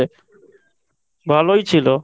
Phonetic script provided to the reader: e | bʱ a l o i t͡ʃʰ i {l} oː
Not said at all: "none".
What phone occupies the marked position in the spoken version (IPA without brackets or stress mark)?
l